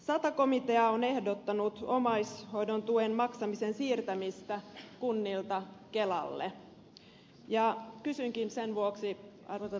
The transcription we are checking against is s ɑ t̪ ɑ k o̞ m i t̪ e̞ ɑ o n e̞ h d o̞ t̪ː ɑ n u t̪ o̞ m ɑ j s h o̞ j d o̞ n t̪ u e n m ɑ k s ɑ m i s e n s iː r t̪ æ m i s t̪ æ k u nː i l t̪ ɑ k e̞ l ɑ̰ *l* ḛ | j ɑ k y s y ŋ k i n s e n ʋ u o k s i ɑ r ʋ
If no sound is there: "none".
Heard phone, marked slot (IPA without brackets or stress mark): lː